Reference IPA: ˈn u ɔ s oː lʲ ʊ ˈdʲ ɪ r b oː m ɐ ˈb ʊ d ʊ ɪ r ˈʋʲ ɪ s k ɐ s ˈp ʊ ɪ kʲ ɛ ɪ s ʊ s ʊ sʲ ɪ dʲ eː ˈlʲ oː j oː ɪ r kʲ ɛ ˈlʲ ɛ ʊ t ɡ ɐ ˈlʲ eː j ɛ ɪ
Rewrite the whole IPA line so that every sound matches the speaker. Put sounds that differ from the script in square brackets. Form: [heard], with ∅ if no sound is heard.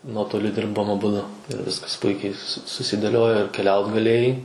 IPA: ˈn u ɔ [t] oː lʲ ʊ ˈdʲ ɪ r b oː m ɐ ˈb ʊ d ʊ ɪ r ˈʋʲ ɪ s k ɐ s ˈp ʊ ɪ kʲ ɛ ɪ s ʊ s ʊ sʲ ɪ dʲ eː ˈlʲ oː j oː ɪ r kʲ ɛ ˈlʲ ɛ ʊ t ɡ ɐ ˈlʲ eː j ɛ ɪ